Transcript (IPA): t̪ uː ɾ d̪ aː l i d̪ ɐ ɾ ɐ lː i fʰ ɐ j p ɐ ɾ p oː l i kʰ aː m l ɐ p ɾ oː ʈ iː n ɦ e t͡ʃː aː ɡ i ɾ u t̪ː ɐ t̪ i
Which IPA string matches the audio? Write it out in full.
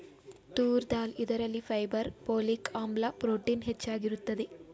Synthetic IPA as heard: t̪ uː ɾ d̪ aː l i d̪ ɐ ɾ ɐ lː i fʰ ɐ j b ɐ ɾ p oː l i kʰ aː m l ɐ p ɾ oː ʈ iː n ɦ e t͡ʃː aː ɡ i ɾ u t̪ː ɐ d̪ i